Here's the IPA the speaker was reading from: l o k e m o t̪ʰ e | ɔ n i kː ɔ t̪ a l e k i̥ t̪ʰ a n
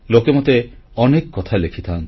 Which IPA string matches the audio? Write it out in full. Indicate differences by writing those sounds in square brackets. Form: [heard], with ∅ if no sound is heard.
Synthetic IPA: l o k e m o [t̪] e | ɔ n [e] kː ɔ [t̪ʰ] a l e [kʰ] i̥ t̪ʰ a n